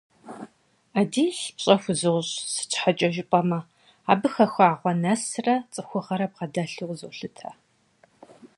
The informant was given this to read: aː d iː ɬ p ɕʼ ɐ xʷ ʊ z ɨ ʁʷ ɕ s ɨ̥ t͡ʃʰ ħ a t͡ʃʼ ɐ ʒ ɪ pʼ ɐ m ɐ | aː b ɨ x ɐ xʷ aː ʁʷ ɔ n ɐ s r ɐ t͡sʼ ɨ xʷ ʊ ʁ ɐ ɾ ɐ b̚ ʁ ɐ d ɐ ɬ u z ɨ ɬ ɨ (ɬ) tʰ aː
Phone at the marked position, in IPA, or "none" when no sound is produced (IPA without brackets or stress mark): none